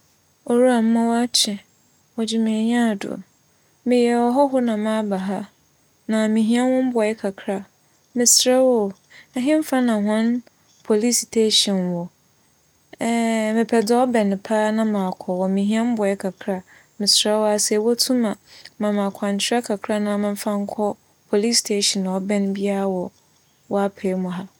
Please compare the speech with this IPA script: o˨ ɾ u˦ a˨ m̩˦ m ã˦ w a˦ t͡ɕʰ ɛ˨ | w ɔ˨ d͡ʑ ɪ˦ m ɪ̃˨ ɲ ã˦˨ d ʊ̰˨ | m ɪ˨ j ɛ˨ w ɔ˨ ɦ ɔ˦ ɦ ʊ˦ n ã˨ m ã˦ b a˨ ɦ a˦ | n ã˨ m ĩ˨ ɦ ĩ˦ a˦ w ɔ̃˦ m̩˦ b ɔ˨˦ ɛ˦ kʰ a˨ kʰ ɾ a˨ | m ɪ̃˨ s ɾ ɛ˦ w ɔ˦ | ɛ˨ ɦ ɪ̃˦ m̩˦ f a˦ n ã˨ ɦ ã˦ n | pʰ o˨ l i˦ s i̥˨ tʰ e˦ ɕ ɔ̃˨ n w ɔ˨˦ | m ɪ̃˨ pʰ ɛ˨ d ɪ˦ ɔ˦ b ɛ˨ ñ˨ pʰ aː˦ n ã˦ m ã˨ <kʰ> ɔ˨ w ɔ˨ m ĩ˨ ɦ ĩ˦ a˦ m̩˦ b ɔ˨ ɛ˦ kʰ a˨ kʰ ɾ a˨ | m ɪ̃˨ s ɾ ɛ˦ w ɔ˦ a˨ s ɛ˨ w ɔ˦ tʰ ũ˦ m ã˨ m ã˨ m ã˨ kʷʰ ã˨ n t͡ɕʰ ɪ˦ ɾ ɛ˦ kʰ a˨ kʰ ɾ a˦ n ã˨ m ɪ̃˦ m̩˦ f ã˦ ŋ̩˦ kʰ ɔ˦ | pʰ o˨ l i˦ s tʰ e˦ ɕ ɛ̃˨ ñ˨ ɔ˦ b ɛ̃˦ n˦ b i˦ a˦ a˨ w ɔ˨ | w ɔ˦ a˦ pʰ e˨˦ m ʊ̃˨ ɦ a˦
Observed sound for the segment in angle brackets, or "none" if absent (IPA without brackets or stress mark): kʰ